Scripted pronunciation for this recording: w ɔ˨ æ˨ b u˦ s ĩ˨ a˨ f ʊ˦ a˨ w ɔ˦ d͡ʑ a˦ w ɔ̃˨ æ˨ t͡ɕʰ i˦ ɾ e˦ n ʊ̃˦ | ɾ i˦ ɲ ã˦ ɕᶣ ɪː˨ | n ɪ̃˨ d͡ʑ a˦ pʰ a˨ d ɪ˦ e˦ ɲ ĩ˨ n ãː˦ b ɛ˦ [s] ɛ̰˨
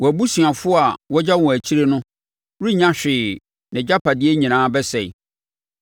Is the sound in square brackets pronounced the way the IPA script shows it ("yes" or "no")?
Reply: yes